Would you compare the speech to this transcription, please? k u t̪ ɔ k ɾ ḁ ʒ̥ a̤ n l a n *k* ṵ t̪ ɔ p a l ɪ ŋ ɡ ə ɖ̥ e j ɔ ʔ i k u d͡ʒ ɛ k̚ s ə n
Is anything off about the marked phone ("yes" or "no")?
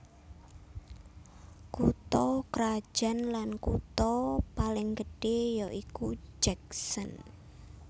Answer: no